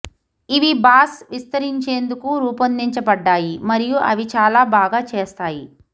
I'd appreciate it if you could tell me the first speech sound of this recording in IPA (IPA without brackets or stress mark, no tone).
i